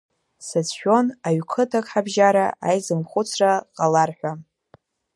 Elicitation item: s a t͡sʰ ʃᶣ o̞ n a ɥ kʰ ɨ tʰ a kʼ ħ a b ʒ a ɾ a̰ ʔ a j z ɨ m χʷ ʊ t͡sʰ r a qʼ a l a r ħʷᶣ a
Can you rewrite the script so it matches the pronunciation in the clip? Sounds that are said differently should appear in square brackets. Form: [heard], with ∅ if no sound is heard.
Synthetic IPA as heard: s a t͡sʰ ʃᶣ o̞ n a ɥ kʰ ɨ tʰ a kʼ ħ a b ʒ a ɾ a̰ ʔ a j z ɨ m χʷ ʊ t͡sʰ r a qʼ a l a r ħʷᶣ a